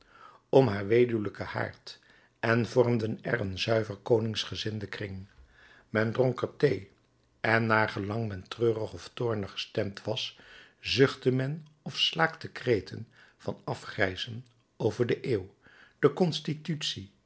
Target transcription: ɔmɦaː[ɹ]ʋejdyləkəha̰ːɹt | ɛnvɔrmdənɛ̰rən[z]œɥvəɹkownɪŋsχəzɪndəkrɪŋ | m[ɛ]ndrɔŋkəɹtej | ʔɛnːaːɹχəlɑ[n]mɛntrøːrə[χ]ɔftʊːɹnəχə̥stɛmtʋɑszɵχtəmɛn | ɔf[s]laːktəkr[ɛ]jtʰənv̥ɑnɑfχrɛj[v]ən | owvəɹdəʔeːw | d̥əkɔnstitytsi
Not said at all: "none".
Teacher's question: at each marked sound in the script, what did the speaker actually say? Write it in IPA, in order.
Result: ɹ, z, ɛ, ŋ, χ, s, e, z

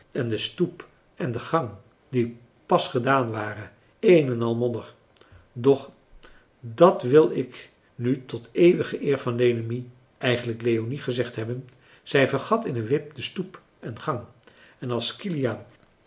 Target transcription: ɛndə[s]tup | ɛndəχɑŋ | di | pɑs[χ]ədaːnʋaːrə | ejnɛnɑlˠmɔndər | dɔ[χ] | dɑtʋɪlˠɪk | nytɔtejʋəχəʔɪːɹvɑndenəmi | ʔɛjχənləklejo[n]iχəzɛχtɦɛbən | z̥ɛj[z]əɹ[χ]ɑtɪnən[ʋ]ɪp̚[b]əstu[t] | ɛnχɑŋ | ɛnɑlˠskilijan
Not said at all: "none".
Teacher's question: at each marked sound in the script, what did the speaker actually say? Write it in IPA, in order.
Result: s, χ, χ, n, v, χ, ʋ, d, p

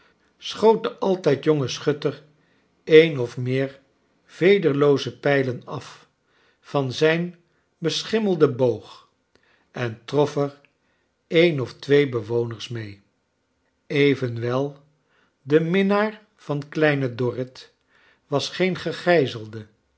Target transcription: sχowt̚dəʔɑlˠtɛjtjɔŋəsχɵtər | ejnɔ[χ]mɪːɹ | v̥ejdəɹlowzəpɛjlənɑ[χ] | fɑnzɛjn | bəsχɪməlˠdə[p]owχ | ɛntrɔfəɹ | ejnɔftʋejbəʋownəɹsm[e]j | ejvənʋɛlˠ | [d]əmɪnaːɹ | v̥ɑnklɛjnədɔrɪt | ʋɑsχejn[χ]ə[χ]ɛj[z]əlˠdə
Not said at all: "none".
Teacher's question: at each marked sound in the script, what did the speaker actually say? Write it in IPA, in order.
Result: f, f, b, e, d, χ, χ, z

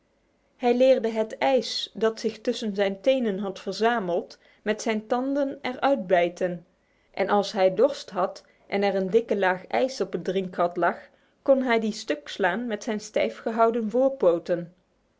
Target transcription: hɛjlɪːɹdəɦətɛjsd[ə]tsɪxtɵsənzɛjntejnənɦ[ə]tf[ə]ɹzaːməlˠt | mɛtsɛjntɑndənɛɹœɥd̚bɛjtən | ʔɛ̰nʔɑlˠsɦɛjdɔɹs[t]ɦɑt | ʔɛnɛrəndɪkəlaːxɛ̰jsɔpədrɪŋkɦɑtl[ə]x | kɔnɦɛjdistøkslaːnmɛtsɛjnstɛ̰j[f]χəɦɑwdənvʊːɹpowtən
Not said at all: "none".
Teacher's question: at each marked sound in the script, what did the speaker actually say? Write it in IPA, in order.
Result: ɑ, ɑ, ə, t, ɑ, f

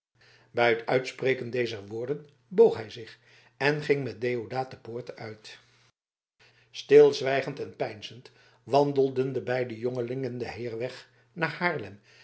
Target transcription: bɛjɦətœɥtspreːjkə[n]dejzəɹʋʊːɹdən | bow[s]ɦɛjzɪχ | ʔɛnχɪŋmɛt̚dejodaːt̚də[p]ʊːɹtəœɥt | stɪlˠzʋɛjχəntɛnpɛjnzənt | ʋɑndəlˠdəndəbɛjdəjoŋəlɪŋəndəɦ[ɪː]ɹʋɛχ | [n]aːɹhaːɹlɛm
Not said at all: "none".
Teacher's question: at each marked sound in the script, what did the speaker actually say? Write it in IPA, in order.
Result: n, χ, p, ɪː, n

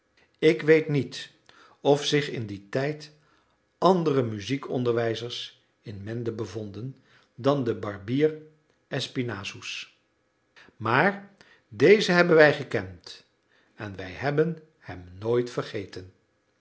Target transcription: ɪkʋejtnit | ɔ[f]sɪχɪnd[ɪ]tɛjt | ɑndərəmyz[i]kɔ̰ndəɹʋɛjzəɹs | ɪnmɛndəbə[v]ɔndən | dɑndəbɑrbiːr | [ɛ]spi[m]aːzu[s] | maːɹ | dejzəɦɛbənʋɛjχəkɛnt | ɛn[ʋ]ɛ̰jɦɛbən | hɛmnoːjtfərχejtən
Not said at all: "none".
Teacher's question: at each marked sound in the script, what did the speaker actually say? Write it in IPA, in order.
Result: f, i, i, v, ɛ, n, s, ʋ

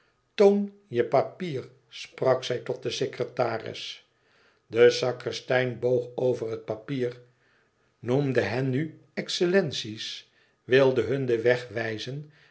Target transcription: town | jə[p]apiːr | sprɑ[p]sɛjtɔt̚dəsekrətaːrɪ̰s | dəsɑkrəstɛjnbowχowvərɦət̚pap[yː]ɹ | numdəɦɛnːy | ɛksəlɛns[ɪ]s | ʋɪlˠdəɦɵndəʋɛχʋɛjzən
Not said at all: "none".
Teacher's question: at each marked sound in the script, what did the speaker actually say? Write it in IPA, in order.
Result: p, k, iː, i

